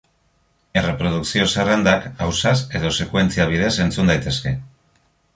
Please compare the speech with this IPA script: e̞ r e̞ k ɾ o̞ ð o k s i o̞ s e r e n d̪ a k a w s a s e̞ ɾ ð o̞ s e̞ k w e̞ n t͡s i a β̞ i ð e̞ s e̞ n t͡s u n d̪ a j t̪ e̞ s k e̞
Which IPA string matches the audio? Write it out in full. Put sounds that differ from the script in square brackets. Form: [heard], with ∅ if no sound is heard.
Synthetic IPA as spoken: e̞ r e̞ [p] ɾ o̞ ð [u] k s i o̞ s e r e n d̪ a k a w s a s e̞ [∅] ð o̞ s e̞ k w e̞ n t͡s i a β̞ i ð e̞ s e̞ n t͡s u n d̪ a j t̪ e̞ s k e̞